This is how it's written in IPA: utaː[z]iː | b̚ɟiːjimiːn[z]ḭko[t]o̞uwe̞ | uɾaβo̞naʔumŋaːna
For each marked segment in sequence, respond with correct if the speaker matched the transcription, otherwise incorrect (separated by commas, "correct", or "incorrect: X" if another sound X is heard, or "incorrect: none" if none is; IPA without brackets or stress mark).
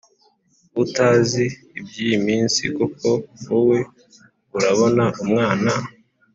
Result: correct, incorrect: s, incorrect: k